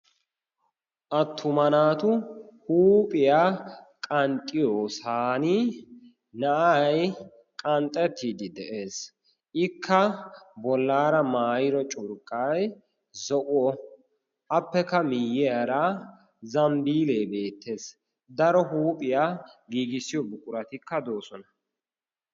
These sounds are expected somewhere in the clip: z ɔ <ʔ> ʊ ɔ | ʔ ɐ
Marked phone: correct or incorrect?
correct